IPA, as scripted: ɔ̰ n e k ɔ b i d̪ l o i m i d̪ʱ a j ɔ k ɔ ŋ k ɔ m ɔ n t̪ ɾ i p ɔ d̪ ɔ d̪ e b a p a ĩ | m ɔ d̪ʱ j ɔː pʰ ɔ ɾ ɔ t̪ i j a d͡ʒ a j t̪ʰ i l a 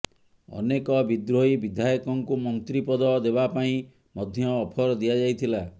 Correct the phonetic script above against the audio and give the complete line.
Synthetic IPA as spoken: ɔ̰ n e k ɔ b i d̪ ɾ o i b i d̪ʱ a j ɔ k ɔ ŋ k u m ɔ n t̪ ɾ i p ɔ d̪ ɔ d̪ e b a p a ĩ | m ɔ d̪ʱ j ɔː pʰ ɔ ɾ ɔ d̪ i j a d͡ʒ a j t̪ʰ i l a